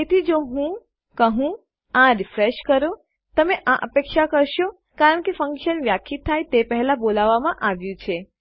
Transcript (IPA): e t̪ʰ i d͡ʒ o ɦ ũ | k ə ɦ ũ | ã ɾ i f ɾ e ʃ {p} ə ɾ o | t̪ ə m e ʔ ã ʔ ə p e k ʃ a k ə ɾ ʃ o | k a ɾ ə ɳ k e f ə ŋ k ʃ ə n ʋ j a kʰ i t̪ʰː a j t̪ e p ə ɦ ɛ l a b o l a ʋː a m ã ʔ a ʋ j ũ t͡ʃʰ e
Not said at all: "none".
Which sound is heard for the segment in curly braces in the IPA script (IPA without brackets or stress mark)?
k